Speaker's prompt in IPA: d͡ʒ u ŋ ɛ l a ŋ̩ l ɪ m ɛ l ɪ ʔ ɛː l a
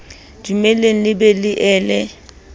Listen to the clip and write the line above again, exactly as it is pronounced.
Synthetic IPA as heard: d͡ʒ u m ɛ l e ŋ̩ l ɪ b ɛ l ɪ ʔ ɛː l ɛ